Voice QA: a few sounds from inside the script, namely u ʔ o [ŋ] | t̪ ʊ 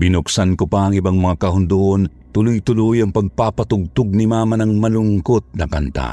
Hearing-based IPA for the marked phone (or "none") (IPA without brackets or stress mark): n